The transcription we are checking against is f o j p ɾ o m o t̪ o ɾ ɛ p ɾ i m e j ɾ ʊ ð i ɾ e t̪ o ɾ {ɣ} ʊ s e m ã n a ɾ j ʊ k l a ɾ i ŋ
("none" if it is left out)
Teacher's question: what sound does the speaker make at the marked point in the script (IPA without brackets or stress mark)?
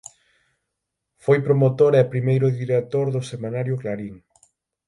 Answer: ð